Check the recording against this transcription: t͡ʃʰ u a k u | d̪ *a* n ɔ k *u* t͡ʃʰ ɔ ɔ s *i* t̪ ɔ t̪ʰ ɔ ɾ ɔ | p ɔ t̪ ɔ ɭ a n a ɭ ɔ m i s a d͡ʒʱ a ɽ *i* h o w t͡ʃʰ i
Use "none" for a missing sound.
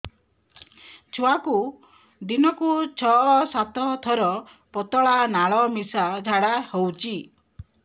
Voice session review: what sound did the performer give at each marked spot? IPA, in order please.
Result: i, u, a, a

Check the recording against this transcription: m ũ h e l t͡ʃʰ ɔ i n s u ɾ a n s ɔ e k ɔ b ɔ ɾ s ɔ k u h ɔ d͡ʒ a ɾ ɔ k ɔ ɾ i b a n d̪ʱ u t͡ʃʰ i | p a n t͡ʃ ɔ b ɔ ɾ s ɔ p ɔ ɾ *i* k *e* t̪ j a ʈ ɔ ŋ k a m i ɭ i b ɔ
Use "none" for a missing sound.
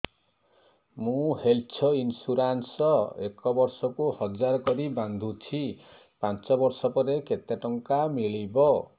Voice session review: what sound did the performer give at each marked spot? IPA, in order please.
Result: e, e

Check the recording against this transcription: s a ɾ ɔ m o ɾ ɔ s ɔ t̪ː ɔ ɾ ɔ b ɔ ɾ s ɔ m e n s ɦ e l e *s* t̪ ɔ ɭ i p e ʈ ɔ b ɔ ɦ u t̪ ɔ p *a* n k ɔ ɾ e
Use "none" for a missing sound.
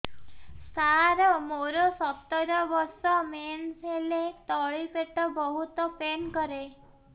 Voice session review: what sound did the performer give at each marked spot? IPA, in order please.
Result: none, e

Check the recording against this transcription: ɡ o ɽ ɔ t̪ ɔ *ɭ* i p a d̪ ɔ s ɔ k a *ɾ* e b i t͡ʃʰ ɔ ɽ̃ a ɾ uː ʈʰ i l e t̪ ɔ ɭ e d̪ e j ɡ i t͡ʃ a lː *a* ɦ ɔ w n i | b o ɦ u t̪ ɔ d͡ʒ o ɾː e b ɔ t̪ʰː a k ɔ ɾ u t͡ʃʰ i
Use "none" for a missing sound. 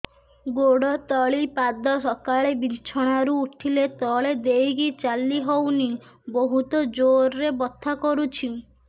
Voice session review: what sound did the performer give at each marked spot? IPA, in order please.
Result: ɭ, ɭ, i

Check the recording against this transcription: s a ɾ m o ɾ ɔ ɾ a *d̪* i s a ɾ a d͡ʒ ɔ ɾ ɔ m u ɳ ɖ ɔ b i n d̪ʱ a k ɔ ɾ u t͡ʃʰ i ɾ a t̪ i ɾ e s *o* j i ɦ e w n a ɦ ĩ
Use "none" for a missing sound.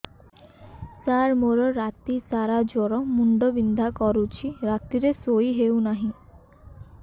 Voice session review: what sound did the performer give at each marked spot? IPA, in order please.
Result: t̪, o

